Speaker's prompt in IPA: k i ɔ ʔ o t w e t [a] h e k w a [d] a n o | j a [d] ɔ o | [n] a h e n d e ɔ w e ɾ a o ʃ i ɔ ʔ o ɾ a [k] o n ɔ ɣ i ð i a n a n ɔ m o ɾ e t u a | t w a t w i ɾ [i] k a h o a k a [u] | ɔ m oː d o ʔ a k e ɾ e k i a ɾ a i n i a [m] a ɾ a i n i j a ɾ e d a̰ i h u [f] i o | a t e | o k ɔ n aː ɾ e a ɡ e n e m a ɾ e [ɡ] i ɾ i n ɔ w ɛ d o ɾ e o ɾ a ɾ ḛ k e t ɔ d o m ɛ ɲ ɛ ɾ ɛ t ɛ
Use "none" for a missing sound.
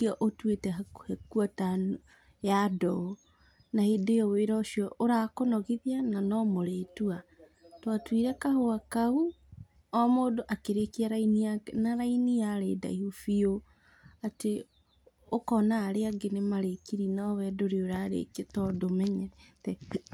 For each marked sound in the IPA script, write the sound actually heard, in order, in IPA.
ɛ, t, d, n, k, ɛ, u, n, f, k

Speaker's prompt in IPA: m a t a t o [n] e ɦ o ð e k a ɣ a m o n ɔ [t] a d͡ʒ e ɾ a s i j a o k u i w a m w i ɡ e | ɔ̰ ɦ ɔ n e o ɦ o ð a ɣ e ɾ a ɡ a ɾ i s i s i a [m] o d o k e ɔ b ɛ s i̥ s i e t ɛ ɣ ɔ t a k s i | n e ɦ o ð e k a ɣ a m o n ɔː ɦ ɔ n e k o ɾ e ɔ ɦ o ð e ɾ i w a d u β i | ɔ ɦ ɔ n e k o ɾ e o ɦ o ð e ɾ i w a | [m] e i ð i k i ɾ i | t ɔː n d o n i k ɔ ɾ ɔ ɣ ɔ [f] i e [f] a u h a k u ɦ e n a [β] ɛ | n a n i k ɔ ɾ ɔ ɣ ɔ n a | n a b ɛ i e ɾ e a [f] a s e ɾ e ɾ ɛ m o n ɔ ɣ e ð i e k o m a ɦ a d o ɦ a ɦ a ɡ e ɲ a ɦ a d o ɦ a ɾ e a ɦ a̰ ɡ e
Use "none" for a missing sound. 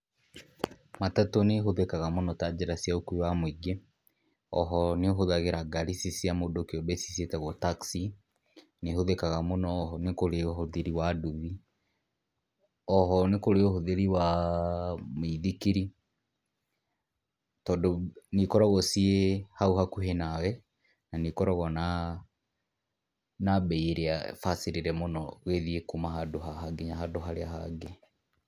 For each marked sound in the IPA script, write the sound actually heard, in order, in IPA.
n, t, m, m, s, h, w, f

